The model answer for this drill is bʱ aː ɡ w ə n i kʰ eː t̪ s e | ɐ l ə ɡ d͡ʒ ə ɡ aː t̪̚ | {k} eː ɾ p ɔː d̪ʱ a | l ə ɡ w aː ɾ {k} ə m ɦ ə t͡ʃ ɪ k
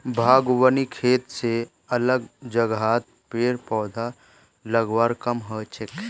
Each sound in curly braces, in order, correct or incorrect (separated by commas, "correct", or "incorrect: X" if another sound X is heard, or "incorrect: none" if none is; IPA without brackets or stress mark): incorrect: p, correct